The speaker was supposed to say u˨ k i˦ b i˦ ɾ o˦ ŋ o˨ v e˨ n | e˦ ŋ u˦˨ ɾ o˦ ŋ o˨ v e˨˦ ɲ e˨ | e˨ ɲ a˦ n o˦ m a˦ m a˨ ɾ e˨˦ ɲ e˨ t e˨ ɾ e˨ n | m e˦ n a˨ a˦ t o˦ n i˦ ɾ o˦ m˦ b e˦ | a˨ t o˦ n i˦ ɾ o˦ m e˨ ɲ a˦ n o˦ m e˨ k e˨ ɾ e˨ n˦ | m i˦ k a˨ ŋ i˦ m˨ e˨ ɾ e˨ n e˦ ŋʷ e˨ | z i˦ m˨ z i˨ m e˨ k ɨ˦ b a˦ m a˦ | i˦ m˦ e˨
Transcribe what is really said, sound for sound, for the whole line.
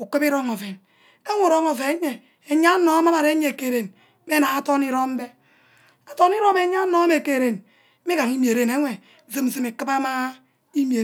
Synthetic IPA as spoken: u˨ k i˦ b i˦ ɾ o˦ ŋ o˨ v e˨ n | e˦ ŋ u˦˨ ɾ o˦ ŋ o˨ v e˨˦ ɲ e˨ | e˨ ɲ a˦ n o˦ m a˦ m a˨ ɾ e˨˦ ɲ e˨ k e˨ ɾ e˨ n | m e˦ n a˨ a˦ t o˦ n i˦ ɾ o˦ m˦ b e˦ | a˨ t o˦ n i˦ ɾ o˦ m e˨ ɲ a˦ n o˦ m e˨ k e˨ ɾ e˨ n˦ | m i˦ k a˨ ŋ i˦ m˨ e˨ ɾ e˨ n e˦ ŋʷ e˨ | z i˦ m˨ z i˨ m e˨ k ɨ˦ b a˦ m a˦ | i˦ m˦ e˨